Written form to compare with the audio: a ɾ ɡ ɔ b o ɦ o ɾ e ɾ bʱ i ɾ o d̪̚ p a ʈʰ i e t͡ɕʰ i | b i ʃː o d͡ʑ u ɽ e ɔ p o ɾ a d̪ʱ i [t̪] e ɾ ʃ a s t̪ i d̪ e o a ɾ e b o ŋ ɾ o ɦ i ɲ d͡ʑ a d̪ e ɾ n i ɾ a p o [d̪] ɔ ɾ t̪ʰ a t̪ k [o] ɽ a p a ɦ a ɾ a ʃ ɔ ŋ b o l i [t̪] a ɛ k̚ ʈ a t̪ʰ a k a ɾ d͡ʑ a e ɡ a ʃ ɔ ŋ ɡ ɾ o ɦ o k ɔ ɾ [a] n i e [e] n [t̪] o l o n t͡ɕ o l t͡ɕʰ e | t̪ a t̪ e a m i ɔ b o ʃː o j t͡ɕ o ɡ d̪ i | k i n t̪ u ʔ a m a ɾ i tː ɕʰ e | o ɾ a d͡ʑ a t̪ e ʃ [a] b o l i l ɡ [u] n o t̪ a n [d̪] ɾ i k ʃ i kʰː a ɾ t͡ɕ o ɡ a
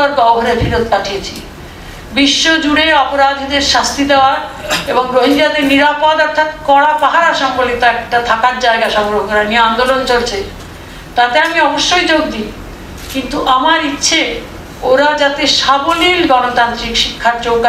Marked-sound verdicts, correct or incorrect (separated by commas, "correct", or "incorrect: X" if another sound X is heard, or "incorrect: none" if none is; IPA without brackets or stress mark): incorrect: d̪, correct, incorrect: ɔ, correct, correct, incorrect: a, incorrect: d̪, correct, incorrect: ɔ, incorrect: t̪